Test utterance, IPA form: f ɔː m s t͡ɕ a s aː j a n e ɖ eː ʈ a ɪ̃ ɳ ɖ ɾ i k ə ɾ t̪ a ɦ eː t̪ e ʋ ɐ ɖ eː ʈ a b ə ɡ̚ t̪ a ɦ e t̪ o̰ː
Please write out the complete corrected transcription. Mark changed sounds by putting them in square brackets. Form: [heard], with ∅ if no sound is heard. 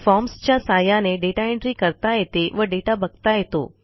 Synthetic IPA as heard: f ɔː m s t͡ɕ a s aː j a n e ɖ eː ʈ a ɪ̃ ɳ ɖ ɾ i k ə ɾ t̪ a ɦ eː t̪ e ʋ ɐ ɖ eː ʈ a b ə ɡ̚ t̪ a ɦ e t̪ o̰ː